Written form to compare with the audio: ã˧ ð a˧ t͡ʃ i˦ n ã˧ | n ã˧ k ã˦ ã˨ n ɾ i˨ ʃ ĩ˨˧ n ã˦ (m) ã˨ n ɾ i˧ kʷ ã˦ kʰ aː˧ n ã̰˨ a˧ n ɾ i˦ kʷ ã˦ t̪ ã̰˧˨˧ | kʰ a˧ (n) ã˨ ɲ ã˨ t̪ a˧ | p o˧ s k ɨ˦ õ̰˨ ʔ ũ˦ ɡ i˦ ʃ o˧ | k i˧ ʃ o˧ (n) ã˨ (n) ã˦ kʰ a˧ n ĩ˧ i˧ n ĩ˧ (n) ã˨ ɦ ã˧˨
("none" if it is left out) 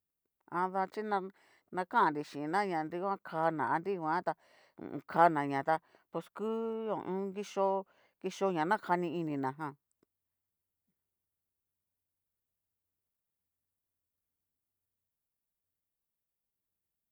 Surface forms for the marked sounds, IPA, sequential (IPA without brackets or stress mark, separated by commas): ɲ, n, ɲ, n, n